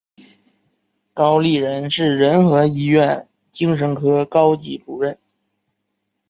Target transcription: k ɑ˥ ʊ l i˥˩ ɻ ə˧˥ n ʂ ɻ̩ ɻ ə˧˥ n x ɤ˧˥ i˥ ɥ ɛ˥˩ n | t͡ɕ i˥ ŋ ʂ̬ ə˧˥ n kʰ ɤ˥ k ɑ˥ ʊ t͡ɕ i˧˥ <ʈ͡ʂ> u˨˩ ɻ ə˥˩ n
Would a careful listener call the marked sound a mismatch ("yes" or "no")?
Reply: no